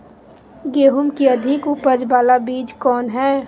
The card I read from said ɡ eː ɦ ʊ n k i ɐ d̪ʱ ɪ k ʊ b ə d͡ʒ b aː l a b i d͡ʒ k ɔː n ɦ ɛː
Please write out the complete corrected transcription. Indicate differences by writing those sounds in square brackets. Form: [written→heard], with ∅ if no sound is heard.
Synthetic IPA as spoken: ɡ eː ɦ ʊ [n→m] k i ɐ d̪ʱ ɪ k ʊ [b→p] ə d͡ʒ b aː l a b [i→iː] d͡ʒ k ɔː n ɦ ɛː